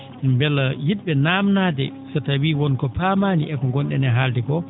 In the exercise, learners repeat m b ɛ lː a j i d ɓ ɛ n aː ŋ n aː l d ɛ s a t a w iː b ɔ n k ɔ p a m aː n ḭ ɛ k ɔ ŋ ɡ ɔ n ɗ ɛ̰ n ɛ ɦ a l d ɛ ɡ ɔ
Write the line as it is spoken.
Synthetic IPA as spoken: m b ɛ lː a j i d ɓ ɛ n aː m n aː d ɛ s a t a w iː w ɔ n k ɔ p a m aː n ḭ ɛ k ɔ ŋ ɡ ɔ n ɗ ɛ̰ n ɛ ɦ a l d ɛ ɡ ɔ